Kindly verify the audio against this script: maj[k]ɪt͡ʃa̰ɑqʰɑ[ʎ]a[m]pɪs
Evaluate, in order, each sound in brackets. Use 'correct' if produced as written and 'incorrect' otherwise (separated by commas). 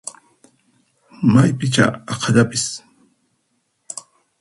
incorrect, correct, incorrect